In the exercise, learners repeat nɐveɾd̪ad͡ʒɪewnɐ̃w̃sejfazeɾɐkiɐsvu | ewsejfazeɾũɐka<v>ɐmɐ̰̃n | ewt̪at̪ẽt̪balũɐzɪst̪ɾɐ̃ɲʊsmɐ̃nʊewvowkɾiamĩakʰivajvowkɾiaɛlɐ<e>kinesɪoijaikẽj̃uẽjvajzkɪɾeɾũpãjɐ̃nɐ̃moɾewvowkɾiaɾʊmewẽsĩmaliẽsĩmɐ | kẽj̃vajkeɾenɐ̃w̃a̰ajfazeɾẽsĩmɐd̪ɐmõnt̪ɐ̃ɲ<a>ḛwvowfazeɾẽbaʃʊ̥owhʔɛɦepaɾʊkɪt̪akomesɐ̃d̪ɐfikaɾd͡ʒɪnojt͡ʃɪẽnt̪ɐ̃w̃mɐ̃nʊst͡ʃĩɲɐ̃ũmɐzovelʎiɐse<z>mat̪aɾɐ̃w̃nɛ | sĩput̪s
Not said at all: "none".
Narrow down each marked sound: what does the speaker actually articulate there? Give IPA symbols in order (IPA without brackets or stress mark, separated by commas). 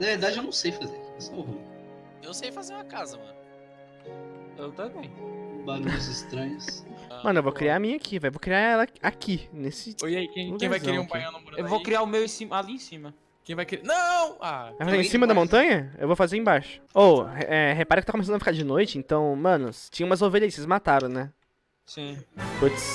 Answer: z, a, ɐ, z